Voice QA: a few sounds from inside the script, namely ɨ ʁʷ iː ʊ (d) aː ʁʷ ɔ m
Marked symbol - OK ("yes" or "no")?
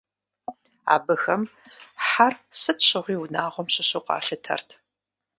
no